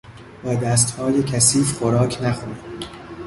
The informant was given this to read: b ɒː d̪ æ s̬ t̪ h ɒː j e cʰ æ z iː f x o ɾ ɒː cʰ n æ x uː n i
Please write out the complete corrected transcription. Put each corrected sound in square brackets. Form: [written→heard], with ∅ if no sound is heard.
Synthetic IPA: b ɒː d̪ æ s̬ t̪ h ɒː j e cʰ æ [z→s] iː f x o ɾ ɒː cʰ n æ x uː n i

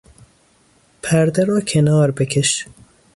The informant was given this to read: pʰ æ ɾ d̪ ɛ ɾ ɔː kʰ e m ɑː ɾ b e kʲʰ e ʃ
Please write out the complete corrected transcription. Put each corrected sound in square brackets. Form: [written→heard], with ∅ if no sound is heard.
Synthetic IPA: pʰ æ ɾ d̪ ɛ ɾ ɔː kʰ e [m→n] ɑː ɾ b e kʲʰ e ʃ

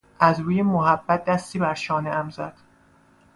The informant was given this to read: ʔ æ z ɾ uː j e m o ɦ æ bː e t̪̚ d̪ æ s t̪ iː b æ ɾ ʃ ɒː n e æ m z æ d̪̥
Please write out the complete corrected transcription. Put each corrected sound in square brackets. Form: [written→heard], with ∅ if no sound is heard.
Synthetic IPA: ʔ æ z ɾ uː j e m o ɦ æ bː [e→æ] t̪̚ d̪ æ s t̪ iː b æ ɾ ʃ ɒː n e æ m z æ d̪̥

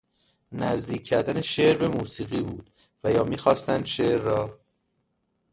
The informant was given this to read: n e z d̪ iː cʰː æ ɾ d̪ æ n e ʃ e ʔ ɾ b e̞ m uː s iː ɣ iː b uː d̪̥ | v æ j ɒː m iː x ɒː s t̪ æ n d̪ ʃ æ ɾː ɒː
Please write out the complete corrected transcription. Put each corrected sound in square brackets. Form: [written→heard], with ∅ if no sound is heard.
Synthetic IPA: n [e→æ] z d̪ iː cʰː æ ɾ d̪ æ n e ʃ e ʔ ɾ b e̞ m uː s iː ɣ iː b uː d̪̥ | v æ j ɒː m iː x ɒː s t̪ æ n d̪ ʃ [æ→e] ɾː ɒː

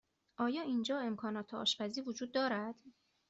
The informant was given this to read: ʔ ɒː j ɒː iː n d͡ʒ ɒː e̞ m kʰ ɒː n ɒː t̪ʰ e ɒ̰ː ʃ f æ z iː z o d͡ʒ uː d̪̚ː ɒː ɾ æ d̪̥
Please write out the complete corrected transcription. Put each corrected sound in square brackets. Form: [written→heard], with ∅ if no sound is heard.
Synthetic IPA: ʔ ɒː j ɒː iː n d͡ʒ ɒː e̞ m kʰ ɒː n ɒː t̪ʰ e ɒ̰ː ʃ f æ z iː [z→v] o d͡ʒ uː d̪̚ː ɒː ɾ æ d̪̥

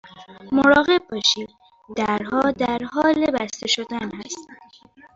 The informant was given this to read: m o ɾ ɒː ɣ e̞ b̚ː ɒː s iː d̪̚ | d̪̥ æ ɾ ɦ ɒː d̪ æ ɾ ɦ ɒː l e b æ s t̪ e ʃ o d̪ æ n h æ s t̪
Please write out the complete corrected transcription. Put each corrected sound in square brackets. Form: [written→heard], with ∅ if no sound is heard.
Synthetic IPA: m o ɾ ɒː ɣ e̞ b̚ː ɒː [s→ʃ] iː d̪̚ | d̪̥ æ ɾ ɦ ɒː d̪ æ ɾ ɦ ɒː l e b æ s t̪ e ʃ o d̪ æ n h æ s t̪

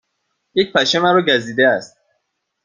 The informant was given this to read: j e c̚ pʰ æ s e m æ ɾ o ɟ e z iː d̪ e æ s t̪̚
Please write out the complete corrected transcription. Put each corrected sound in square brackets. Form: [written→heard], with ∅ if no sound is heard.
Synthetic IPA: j e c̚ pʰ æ [s→ʃ] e m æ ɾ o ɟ [e→æ] z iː d̪ e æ s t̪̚

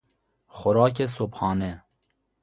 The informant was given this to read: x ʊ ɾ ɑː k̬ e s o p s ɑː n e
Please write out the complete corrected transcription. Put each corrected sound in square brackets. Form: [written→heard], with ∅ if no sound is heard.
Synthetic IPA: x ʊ ɾ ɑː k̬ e s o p [s→h] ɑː n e

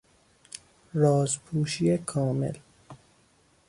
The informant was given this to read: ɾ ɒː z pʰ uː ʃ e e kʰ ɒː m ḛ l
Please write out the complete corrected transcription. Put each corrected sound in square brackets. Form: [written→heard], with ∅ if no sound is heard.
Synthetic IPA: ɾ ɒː z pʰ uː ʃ [e→i] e kʰ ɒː m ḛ l

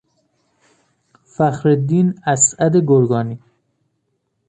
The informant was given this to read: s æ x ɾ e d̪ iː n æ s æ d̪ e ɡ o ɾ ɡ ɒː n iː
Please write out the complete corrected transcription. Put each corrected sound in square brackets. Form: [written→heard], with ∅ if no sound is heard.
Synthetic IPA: [s→f] æ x ɾ e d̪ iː n æ s æ d̪ e ɡ o ɾ ɡ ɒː n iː

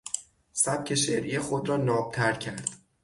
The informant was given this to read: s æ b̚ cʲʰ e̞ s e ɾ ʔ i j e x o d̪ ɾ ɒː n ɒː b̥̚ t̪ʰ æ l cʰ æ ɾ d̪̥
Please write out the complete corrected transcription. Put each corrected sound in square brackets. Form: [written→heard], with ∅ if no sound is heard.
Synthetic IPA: s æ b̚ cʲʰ e̞ [s→ʃ] e ɾ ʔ i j e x o d̪ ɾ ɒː n ɒː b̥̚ t̪ʰ æ [l→ɾ] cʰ æ ɾ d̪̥

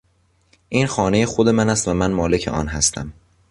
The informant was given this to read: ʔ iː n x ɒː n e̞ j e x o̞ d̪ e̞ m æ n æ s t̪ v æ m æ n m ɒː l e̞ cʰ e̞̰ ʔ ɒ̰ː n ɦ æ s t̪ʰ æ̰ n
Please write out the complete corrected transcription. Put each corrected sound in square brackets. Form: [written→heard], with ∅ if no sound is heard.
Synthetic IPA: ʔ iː n x ɒː n e̞ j e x o̞ d̪ e̞ m æ n æ s t̪ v æ m æ n m ɒː l e̞ cʰ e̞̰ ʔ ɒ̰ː n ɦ æ s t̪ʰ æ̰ [n→m]

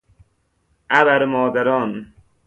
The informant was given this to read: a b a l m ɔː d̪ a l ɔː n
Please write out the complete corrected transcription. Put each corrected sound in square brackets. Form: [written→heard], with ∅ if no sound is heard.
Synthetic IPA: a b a [l→ɾ] m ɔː d̪ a [l→ɾ] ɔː n

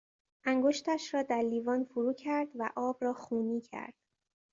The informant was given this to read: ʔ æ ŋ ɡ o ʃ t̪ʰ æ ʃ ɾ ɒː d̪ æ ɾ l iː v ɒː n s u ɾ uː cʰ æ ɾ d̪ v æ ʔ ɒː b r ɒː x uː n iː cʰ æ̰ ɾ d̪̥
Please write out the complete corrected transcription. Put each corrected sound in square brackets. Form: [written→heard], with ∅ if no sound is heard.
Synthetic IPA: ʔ æ ŋ ɡ o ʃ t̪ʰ æ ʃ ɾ ɒː d̪ æ ɾ l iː v ɒː n [s→f] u ɾ uː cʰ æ ɾ d̪ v æ ʔ ɒː b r ɒː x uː n iː cʰ æ̰ ɾ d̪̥

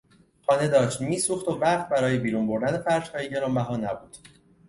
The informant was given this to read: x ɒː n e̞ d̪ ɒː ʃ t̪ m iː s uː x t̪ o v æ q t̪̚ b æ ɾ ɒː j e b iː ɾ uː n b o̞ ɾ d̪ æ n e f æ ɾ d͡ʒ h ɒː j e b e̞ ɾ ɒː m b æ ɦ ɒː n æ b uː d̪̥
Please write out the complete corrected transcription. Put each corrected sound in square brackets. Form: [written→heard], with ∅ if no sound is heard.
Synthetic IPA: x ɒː n e̞ d̪ ɒː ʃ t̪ m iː s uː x t̪ o v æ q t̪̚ b æ ɾ ɒː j e b iː ɾ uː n b o̞ ɾ d̪ æ n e f æ ɾ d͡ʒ h ɒː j e [b→ɟ] e̞ ɾ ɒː m b æ ɦ ɒː n æ b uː d̪̥

